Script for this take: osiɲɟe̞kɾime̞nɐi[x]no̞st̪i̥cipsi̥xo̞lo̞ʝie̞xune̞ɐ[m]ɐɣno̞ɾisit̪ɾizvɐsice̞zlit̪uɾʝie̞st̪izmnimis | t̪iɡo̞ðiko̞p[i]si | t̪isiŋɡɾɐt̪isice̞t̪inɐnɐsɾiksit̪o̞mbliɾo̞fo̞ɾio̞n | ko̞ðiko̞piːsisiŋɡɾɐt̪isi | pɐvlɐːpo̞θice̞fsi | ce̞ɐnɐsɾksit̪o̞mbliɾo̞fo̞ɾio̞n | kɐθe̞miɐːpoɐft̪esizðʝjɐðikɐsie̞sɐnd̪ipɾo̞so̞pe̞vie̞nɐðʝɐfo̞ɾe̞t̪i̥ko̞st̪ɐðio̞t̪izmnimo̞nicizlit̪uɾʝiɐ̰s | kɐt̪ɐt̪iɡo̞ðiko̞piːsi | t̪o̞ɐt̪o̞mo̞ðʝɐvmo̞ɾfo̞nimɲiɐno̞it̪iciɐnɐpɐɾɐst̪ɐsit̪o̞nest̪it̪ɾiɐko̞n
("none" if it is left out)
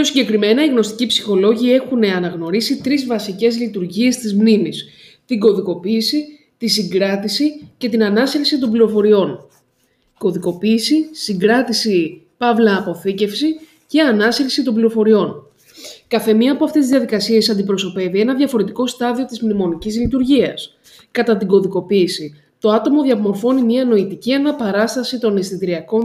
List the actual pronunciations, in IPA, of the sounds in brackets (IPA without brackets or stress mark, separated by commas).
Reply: ɣ, n, iː